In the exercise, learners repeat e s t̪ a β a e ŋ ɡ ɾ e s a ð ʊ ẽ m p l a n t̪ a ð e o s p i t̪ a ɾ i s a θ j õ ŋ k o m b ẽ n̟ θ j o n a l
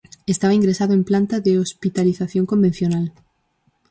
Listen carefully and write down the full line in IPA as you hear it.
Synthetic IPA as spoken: e s t̪ a β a i ŋ ɡ ɾ e s a ð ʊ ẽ m p l a n t̪ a ð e o s p i t̪ a l i θ a θ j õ ŋ k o m b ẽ n̟ θ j o n a l